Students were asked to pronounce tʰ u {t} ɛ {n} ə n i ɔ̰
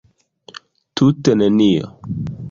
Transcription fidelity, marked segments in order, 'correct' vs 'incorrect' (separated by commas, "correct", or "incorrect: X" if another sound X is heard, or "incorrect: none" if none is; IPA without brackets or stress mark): correct, correct